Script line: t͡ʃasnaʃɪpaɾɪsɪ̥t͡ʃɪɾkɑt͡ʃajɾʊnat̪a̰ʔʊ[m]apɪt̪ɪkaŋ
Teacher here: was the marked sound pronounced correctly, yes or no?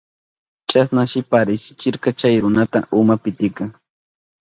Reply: yes